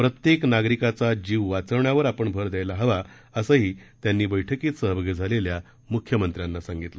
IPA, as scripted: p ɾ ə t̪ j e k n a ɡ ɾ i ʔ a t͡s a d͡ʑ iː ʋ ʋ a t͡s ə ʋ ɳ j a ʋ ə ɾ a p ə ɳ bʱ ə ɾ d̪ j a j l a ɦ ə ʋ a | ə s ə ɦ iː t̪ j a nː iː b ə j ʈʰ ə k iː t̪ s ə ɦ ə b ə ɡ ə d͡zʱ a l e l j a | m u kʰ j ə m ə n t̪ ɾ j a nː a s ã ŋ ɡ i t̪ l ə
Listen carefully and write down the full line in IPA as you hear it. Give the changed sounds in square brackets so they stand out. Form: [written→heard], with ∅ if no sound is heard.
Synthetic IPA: p ɾ ə t̪ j e k n a ɡ ɾ i [ʔ→k] a t͡s a d͡ʑ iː ʋ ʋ a t͡s ə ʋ ɳ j a ʋ ə ɾ a p ə ɳ bʱ ə ɾ d̪ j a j l a ɦ ə ʋ a | ə s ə ɦ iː t̪ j a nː iː b ə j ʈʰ ə k iː t̪ s ə ɦ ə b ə ɡ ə d͡zʱ a l e l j a | m u kʰ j ə m ə n t̪ ɾ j a nː a s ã ŋ ɡ i t̪ l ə